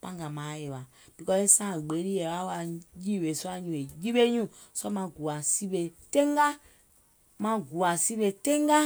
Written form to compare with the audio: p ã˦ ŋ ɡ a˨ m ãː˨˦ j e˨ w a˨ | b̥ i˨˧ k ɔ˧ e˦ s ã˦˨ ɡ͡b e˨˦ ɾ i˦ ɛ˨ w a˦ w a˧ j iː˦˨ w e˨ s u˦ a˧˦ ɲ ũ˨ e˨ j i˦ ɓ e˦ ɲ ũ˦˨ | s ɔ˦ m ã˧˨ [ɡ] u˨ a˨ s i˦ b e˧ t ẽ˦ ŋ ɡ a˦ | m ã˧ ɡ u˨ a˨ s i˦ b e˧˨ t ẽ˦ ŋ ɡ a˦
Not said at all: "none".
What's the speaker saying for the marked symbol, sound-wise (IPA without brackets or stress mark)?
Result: ɡ